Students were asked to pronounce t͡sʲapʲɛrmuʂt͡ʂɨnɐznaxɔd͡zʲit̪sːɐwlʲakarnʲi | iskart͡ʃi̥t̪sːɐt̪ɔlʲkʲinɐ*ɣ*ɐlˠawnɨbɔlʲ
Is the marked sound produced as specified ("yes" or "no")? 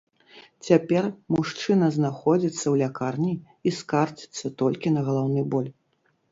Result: yes